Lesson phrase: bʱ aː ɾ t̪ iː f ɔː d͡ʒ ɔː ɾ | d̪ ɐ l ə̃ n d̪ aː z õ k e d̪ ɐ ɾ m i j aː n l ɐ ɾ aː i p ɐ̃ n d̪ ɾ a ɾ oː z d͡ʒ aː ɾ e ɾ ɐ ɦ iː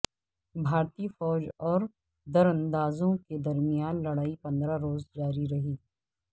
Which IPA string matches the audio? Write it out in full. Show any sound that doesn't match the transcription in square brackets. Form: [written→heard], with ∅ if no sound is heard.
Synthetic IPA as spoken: bʱ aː ɾ t̪ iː f ɔː d͡ʒ ɔː ɾ | d̪ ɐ [l→ɾ] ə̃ n d̪ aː z õ k e d̪ ɐ ɾ m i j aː n l ɐ [ɾ→ɽ] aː i p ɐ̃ n d̪ ɾ a ɾ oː z d͡ʒ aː ɾ [e→i] ɾ ɐ ɦ iː